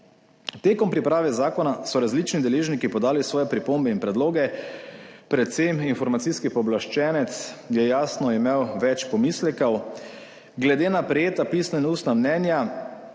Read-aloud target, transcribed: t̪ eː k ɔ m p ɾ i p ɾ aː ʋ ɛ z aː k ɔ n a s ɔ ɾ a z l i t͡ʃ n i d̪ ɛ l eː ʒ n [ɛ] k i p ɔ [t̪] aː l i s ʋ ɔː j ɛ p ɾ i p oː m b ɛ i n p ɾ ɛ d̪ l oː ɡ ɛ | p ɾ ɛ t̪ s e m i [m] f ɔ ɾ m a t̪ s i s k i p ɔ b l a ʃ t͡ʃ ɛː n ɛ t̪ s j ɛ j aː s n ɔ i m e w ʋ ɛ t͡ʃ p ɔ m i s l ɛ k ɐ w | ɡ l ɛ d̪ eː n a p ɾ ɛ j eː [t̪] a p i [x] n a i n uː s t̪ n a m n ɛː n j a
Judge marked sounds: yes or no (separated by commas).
no, no, no, yes, no